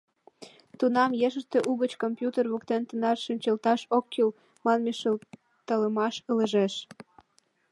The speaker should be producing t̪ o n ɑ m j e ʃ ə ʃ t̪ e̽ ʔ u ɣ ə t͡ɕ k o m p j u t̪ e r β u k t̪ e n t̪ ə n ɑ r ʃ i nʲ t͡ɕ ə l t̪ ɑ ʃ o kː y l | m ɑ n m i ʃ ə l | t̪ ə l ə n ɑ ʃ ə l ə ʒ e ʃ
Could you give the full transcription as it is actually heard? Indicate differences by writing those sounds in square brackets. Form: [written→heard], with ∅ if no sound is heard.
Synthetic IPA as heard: t̪ [o→u] n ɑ m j e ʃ ə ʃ t̪ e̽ ʔ u ɣ ə t͡ɕ k o m p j u t̪ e r β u k t̪ e n t̪ ə n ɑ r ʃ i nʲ t͡ɕ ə l t̪ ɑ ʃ o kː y l | m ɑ n m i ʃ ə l | t̪ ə l ə [n→m] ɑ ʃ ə l ə ʒ e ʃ